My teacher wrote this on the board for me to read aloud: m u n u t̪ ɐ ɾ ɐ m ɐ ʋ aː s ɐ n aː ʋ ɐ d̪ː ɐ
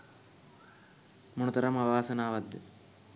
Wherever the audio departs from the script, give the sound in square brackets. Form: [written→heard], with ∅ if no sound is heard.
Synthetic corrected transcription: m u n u t̪ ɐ ɾ ɐ m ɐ ʋ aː s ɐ n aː ʋ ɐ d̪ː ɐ

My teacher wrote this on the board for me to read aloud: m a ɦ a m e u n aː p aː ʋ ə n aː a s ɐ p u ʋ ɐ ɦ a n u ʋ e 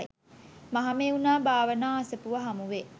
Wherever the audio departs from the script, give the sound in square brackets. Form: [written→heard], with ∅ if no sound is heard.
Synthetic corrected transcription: m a ɦ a m e u n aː [p→b] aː ʋ ə n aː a s [ɐ→ə] p u ʋ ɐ ɦ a [n→m] u ʋ e

